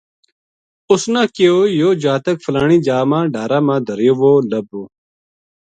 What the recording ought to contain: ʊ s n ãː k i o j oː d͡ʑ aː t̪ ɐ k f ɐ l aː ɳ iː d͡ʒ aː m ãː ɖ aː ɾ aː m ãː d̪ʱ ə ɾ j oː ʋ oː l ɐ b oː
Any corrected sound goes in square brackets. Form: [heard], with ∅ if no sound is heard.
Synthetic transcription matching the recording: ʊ s n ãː k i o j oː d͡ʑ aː t̪ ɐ k f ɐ l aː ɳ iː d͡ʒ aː m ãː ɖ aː ɾ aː m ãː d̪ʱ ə ɾ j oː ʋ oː l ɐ b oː